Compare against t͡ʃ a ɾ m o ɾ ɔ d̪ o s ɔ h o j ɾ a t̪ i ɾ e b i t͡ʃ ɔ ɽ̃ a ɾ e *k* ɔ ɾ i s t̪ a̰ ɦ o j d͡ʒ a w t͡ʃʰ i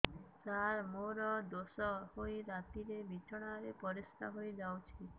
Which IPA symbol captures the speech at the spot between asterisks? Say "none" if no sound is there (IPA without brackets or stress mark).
p